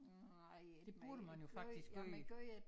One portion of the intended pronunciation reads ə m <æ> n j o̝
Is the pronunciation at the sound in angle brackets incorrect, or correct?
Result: correct